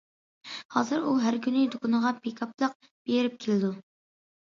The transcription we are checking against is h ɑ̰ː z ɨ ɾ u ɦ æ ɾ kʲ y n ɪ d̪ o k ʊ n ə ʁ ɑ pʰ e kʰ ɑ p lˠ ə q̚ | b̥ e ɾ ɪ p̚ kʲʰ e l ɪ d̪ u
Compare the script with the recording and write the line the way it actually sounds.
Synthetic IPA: h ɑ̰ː z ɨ ɾ u ɦ æ ɾ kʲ y n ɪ d̪ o k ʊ n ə ʁ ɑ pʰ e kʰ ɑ p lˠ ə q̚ | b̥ e ɾ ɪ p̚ kʲʰ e l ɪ d̪ u